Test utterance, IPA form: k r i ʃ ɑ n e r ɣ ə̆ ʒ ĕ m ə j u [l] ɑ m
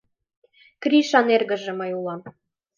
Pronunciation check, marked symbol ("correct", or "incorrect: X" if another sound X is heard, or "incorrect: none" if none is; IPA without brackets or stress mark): correct